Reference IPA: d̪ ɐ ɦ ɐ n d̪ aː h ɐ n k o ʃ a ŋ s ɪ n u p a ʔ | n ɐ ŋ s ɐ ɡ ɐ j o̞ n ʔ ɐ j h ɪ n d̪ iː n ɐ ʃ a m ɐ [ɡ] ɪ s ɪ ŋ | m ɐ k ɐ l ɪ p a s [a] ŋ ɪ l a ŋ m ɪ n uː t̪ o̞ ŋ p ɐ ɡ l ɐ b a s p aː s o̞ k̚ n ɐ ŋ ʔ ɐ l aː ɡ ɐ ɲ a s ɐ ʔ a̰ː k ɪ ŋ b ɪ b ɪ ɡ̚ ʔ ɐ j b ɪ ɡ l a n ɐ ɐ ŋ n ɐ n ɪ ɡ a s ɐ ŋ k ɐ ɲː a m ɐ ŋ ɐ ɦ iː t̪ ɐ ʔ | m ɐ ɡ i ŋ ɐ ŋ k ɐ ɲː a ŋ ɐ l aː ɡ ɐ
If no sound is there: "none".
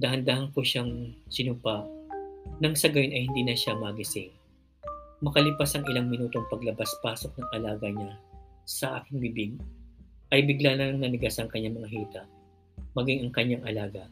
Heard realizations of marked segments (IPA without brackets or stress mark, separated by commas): ɡ, ɐ